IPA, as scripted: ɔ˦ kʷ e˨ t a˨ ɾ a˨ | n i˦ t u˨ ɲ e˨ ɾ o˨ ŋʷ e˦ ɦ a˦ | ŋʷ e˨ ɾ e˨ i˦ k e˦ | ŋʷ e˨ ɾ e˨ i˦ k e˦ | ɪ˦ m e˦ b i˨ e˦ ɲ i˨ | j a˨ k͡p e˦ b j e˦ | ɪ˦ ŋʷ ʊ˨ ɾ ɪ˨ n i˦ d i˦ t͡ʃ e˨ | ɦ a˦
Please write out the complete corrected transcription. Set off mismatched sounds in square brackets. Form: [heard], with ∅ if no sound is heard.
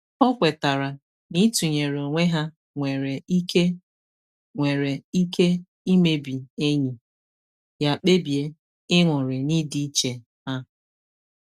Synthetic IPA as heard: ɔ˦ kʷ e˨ t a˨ ɾ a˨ | n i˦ t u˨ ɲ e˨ ɾ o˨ ŋʷ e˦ ɦ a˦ | ŋʷ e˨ ɾ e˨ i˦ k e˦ | ŋʷ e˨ ɾ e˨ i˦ k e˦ | [i˦] m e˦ b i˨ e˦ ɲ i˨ | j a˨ k͡p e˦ b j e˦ | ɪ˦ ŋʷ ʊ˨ ɾ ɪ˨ n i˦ d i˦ t͡ʃ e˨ | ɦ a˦